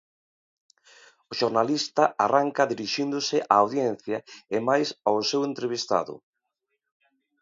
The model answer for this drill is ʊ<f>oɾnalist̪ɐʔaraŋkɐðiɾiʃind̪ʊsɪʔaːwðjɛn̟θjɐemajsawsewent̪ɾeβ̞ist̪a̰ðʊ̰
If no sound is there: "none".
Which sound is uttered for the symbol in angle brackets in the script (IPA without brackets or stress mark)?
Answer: ʃ